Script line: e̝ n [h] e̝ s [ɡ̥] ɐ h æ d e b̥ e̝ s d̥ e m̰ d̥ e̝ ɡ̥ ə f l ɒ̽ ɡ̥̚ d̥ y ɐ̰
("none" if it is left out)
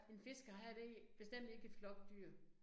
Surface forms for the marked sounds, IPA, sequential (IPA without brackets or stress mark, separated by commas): f, ɡ̥